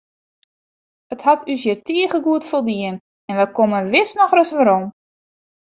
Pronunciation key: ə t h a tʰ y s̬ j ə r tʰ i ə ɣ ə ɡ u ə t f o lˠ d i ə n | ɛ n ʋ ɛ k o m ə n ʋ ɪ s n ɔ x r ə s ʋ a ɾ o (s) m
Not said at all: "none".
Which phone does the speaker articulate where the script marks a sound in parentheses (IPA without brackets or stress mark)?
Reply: none